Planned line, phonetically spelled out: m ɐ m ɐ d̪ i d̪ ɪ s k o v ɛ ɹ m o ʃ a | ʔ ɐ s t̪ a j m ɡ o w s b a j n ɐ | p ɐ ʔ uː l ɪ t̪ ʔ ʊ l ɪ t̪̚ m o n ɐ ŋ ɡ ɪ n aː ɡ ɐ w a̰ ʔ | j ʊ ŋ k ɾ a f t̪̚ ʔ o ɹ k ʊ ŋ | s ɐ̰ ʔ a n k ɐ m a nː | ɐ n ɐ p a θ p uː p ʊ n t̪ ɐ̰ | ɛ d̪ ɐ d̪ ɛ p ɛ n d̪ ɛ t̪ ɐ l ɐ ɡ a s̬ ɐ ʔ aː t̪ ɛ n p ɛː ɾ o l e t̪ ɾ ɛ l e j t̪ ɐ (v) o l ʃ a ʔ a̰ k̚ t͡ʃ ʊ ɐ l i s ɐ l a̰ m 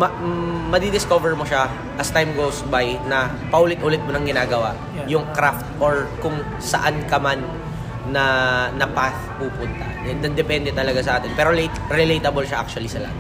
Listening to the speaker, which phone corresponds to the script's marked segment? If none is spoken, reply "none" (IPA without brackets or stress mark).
b